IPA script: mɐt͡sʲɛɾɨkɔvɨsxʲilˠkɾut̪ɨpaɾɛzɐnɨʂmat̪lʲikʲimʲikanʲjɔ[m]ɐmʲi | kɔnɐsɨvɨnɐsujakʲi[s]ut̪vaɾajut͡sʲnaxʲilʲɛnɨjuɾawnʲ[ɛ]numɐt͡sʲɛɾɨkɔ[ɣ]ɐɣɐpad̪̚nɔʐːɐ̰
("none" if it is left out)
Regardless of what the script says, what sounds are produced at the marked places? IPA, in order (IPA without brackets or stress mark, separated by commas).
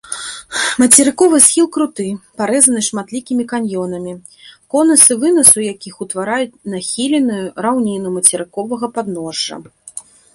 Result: n, x, i, v